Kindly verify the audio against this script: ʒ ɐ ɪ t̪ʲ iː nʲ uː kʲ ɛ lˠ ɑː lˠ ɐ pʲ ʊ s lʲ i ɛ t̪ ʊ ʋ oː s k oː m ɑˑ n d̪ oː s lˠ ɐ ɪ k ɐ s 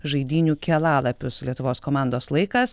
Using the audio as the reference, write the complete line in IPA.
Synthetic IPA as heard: ʒ ɐ ɪ d̪ʲ iː nʲ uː kʲ ɛ lˠ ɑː lˠ ɐ pʲ ʊ s lʲ i ɛ t̪ ʊ ʋ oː s k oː m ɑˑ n d̪ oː s lˠ ɐ ɪ k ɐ s

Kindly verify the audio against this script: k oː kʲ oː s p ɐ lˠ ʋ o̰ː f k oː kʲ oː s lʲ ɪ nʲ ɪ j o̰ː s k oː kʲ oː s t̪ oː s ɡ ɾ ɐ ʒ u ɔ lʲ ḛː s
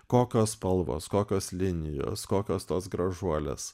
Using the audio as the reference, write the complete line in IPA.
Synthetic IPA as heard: k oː kʲ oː s p ɐ lˠ ʋ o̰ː s k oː kʲ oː s lʲ ɪ nʲ ɪ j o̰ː s k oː kʲ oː s t̪ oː s ɡ ɾ ɐ ʒ u ɔ lʲ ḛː s

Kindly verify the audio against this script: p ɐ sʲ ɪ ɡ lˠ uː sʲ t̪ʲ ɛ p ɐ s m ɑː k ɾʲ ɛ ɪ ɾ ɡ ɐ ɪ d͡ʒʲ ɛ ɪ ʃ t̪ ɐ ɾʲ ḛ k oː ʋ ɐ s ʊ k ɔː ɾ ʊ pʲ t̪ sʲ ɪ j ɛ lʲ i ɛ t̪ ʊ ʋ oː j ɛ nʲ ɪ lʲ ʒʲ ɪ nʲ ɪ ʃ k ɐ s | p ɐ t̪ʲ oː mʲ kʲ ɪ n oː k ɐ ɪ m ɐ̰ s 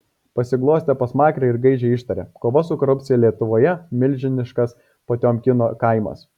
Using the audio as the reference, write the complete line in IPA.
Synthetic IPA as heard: p ɐ sʲ ɪ ɡ lˠ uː sʲ t̪ʲ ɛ p ɐ s m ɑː k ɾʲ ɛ ɪ ɾ ɡ ɐ ɪ d͡ʒʲ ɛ ɪ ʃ t̪ ɐ ɾʲ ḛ k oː ʋ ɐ s ʊ k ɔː ɾ ʊ pʲ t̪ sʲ ɪ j ɛ lʲ i ɛ t̪ ʊ ʋ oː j ɛ mʲ ɪ lʲ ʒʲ ɪ nʲ ɪ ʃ k ɐ s | p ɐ t̪ʲ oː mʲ kʲ ɪ n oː k ɐ ɪ m ɐ̰ s

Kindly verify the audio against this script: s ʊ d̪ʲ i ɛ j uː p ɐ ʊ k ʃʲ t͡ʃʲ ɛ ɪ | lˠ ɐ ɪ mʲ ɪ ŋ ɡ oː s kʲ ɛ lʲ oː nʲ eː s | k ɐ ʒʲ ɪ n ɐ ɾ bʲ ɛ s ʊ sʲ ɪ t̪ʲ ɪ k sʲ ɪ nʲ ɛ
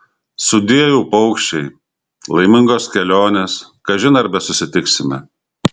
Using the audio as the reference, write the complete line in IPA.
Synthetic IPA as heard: s ʊ d̪ʲ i ɛ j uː p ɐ ʊ k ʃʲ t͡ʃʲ ɛ ɪ | lˠ ɐ ɪ mʲ ɪ ŋ ɡ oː s kʲ ɛ lʲ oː nʲ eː s | k ɐ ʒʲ ɪ n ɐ ɾ bʲ ɛ s ʊ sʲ ɪ t̪ʲ ɪ k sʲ ɪ mʲ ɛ

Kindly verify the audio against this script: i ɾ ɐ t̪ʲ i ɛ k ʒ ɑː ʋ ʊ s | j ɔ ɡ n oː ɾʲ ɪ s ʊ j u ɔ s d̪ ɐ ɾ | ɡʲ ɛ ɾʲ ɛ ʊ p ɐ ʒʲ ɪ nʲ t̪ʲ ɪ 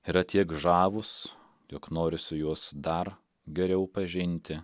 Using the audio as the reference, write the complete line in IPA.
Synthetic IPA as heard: i ɾ ɐ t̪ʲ i ɛ k ʒ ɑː ʋ ʊ s | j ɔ k n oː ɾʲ ɪ s ʊ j u ɔ s d̪ ɐ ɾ | ɡʲ ɛ ɾʲ ɛ ʊ p ɐ ʒʲ ɪ nʲ t̪ʲ ɪ

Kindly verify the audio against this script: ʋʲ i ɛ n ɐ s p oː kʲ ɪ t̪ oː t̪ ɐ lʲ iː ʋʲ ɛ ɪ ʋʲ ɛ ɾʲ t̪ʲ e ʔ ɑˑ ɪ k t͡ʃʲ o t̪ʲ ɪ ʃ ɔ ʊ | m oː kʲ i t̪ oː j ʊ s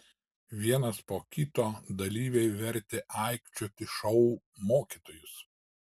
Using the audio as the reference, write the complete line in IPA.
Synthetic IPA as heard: ʋʲ i ɛ n ɐ s p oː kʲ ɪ t̪ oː d̪ ɐ lʲ iː ʋʲ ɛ ɪ ʋʲ ɛ ɾʲ t̪ʲ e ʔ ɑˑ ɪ k t͡ʃʲ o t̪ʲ ɪ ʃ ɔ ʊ | m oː kʲ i t̪ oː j ʊ s

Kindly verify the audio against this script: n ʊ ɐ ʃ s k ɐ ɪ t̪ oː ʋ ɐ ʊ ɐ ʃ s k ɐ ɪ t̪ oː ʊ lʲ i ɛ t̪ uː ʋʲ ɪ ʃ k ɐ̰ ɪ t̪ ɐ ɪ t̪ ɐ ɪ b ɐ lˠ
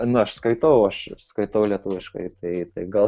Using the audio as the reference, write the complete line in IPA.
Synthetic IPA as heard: n ʊ ɐ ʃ s k ɐ ɪ t̪ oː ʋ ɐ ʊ ɐ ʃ s k ɐ ɪ t̪ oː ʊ lʲ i ɛ t̪ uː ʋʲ ɪ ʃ k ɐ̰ ɪ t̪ ɐ ɪ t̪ ɐ ɪ ɡ ɐ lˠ

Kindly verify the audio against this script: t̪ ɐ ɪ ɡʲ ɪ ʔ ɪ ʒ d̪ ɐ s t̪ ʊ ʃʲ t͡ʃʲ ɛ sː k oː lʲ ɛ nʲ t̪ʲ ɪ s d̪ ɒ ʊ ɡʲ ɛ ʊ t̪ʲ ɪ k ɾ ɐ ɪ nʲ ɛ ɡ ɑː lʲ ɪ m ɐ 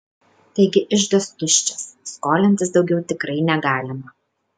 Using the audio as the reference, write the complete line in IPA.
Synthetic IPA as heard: t̪ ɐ ɪ ɡʲ ɪ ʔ ɪ ʒ d̪ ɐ s t̪ ʊ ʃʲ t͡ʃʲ ɛ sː k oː lʲ ɛ nʲ t̪ʲ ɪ s d̪ ɒ ʊ ɡʲ ɛ ʊ t̪ʲ ɪ k ɾ ɐ ɪ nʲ ɛ ɡ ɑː lʲ ɪ m ɐ

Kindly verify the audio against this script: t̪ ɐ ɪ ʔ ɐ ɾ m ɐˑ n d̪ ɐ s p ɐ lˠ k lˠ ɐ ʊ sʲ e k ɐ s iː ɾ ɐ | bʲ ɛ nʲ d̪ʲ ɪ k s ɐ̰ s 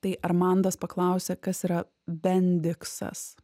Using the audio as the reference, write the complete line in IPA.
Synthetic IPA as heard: t̪ ɐ ɪ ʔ ɐ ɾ m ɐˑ n d̪ ɐ s p ɐ k lˠ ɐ ʊ sʲ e k ɐ s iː ɾ ɐ | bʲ ɛ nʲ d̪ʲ ɪ k s ɐ̰ s

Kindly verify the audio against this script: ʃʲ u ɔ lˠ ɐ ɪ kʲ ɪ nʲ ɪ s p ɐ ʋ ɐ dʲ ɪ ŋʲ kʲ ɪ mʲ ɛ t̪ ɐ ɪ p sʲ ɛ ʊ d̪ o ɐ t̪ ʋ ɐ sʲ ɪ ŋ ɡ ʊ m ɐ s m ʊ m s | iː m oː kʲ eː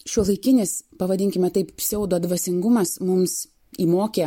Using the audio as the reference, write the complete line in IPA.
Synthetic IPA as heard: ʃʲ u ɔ lˠ ɐ ɪ kʲ ɪ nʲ ɪ s p ɐ ʋ ɐ dʲ ɪ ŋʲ kʲ ɪ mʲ ɛ t̪ ɐ ɪ p sʲ ɛ ʊ d̪ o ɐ d̪ ʋ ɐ sʲ ɪ ŋ ɡ ʊ m ɐ s m ʊ m s | iː m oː kʲ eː

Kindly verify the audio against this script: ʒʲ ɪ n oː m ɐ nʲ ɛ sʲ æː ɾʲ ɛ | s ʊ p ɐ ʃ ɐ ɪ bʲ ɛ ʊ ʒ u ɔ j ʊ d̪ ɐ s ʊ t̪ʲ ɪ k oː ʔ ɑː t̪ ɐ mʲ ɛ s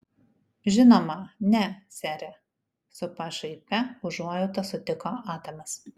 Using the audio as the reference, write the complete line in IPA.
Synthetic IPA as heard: ʒʲ ɪ n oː m ɐ nʲ ɛ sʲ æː ɾʲ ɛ | s ʊ p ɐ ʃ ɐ ɪ pʲ ɛ ʊ ʒ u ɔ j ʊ t̪ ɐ s ʊ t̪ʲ ɪ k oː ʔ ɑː t̪ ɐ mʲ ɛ s

